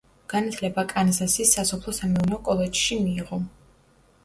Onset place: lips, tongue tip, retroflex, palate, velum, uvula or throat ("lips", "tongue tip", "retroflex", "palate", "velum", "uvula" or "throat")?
velum